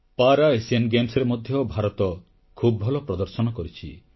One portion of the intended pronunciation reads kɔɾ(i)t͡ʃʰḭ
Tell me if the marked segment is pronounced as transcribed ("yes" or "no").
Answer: yes